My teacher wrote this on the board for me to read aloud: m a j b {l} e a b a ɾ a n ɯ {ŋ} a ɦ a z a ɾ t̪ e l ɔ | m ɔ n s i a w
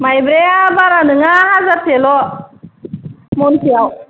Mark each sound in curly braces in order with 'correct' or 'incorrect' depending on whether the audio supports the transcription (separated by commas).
incorrect, correct